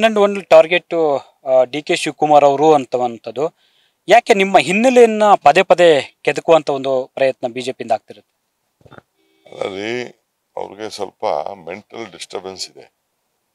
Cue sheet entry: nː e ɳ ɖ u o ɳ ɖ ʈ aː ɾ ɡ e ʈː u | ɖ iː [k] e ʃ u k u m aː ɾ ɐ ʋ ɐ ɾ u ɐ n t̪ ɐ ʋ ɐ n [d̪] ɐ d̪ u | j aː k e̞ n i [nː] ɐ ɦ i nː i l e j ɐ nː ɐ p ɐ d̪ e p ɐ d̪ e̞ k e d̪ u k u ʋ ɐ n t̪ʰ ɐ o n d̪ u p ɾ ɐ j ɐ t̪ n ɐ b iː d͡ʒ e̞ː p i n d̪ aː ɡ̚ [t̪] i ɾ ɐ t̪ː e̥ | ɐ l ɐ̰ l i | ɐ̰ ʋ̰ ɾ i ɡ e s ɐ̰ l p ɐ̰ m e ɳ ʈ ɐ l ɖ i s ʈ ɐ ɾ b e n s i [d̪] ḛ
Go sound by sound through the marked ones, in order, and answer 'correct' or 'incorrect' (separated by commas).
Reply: correct, incorrect, incorrect, correct, correct